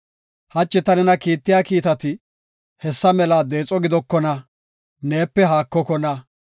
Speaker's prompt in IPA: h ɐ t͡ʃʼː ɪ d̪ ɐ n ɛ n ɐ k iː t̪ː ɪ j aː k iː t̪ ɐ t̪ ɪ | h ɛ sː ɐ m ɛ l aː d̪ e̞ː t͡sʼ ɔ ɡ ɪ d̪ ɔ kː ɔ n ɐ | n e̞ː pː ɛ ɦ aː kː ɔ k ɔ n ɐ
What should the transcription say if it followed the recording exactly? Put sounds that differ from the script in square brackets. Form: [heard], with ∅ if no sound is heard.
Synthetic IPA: h ɐ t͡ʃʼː ɪ [t̪] ɐ n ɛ n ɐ k iː t̪ː ɪ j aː k iː t̪ ɐ t̪ ɪ | h ɛ sː ɐ m ɛ l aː d̪ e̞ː t͡sʼ ɔ ɡ ɪ d̪ ɔ kː ɔ n ɐ | n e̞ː pː ɛ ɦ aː kː ɔ k ɔ n ɐ

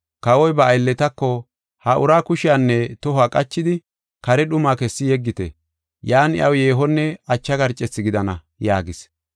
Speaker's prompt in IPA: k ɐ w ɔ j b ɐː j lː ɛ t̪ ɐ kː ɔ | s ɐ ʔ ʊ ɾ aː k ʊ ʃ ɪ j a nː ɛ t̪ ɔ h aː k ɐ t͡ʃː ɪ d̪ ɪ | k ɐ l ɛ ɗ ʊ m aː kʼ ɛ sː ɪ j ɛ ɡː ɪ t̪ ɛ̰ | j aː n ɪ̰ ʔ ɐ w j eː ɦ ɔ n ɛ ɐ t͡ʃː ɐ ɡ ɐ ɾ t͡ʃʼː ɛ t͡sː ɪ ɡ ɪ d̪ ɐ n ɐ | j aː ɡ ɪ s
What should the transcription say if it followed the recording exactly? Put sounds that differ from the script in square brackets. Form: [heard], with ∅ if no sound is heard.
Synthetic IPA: k ɐ w ɔ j b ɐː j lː ɛ t̪ ɐ kː ɔ | [h] ɐ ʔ ʊ ɾ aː k ʊ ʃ ɪ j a nː ɛ t̪ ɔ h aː [kʼ] ɐ t͡ʃː ɪ d̪ ɪ | k ɐ [ɾ] ɛ ɗ ʊ m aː [k] ɛ sː ɪ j ɛ ɡː ɪ t̪ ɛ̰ | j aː n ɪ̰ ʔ ɐ w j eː ɦ ɔ [nː] ɛ ɐ t͡ʃː ɐ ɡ ɐ ɾ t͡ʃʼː ɛ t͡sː ɪ ɡ ɪ d̪ ɐ n ɐ | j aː ɡ ɪ s

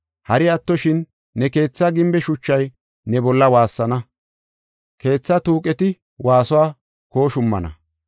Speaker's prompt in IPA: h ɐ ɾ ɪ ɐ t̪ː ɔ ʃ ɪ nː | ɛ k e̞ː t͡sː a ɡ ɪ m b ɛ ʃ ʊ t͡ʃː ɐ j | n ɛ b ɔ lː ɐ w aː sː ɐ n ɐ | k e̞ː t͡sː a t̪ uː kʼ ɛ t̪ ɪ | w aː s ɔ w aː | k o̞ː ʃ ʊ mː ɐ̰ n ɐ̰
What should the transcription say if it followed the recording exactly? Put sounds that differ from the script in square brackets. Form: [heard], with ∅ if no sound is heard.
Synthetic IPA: h ɐ ɾ ɪ ɐ t̪ː ɔ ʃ ɪ nː | ɛ k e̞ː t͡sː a ɡ ɪ m b ɛ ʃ ʊ t͡ʃː ɐ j | n ɛ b ɔ lː ɐ w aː sː ɐ n ɐ | k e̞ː t͡sː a t̪ uː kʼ ɛ t̪ ɪ | w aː s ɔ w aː | k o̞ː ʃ ʊ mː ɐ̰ n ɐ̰

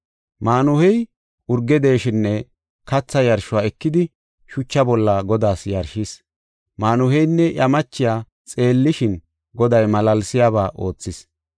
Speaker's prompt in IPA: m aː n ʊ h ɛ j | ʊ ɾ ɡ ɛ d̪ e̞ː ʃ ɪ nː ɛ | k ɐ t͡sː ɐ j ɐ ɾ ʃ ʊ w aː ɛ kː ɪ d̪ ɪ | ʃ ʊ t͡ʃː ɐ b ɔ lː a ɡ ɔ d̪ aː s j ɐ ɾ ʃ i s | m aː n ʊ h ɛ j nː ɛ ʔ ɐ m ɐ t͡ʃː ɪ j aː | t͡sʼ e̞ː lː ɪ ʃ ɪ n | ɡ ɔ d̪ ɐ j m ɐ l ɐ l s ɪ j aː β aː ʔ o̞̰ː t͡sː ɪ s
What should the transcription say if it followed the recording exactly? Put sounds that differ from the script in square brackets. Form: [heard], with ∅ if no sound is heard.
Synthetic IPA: m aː n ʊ h ɛ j | ʊ ɾ ɡ ɛ d̪ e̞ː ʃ ɪ nː ɛ | k ɐ t͡sː ɐ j ɐ ɾ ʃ ʊ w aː ɛ kː ɪ d̪ ɪ | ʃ ʊ t͡ʃː ɐ b ɔ lː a ɡ ɔ d̪ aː s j ɐ ɾ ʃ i s | m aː n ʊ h ɛ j nː ɛ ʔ ɐ m ɐ t͡ʃː ɪ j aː | t͡sʼ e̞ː lː ɪ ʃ ɪ n | ɡ ɔ d̪ ɐ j m ɐ l ɐ l s ɪ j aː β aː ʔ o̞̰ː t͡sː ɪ s

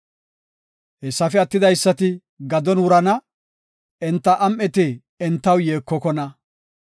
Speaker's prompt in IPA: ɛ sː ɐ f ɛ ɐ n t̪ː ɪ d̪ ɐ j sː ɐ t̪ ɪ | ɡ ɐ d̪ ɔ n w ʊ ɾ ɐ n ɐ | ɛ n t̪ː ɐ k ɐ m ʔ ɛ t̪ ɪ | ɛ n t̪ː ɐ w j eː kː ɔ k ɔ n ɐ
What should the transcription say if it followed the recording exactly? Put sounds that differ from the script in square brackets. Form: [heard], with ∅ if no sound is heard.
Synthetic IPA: ɛ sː ɐ f ɛ ɐ [∅] t̪ː ɪ d̪ ɐ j sː ɐ t̪ ɪ | ɡ ɐ d̪ ɔ n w ʊ ɾ ɐ n ɐ | ɛ n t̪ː ɐ [ʔ] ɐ m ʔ ɛ t̪ ɪ | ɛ n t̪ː ɐ w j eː kː ɔ k ɔ n ɐ

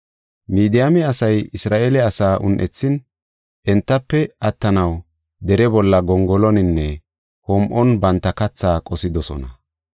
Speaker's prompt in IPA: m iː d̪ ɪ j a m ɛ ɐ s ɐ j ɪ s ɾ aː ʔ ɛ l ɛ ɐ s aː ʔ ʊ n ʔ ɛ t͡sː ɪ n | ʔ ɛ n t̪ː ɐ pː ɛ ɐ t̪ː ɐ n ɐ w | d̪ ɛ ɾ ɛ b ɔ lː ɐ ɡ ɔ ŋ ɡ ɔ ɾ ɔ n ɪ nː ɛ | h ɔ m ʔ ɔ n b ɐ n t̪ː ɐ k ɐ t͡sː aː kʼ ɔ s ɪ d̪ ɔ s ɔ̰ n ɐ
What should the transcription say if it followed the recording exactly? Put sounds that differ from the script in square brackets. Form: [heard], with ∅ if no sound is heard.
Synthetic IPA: m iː d̪ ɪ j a m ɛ ɐ s ɐ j ɪ s ɾ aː ʔ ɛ l ɛ ɐ s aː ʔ ʊ n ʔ ɛ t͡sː ɪ n | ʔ ɛ n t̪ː ɐ pː ɛ ɐ t̪ː ɐ n ɐ w | d̪ ɛ ɾ ɛ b ɔ lː ɐ ɡ ɔ ŋ ɡ ɔ [l] ɔ n ɪ nː ɛ | h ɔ m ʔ ɔ n b ɐ n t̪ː ɐ k ɐ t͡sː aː kʼ ɔ s ɪ d̪ ɔ s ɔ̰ n ɐ

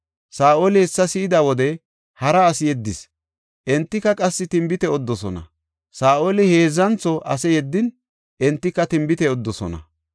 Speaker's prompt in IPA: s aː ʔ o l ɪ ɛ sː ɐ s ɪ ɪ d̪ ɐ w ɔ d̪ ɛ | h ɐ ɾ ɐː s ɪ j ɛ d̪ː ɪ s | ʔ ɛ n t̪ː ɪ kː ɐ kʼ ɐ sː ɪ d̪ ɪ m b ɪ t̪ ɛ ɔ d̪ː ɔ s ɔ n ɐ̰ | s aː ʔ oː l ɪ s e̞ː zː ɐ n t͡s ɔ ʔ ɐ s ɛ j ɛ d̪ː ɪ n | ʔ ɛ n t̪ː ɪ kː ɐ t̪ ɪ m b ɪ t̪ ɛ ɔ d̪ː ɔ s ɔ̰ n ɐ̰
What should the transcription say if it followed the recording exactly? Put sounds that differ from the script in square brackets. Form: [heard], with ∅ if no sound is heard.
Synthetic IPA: s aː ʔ o l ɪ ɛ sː ɐ s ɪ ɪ d̪ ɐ w ɔ d̪ ɛ | h ɐ ɾ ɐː s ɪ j ɛ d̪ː ɪ s | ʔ ɛ n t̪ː ɪ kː ɐ kʼ ɐ sː ɪ [t̪] ɪ m b ɪ t̪ ɛ ɔ d̪ː ɔ s ɔ n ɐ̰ | s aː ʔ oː l ɪ [h] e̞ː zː ɐ n t͡s ɔ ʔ ɐ s ɛ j ɛ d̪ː ɪ n | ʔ ɛ n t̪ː ɪ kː ɐ t̪ ɪ m b ɪ t̪ ɛ ɔ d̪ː ɔ s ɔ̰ n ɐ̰

